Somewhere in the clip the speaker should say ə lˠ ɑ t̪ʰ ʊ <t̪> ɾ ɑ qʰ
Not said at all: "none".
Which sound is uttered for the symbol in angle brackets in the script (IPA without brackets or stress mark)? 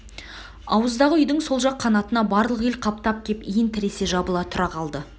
none